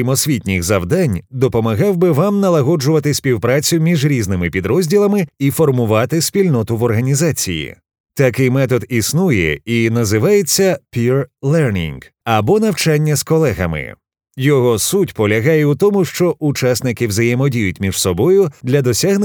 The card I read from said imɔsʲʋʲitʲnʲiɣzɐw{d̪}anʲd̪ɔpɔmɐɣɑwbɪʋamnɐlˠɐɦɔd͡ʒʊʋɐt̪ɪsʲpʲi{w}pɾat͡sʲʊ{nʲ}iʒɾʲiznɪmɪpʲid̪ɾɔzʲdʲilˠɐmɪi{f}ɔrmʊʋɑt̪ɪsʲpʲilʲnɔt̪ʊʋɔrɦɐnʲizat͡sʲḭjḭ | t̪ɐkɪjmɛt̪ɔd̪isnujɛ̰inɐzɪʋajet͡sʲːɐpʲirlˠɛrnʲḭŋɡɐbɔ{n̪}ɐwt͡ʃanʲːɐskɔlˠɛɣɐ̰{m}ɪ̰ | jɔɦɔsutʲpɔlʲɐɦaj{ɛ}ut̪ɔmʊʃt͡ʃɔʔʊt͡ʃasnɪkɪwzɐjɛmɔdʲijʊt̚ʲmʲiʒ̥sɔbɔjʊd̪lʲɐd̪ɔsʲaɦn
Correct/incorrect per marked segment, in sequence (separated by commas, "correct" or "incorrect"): correct, correct, incorrect, correct, correct, correct, correct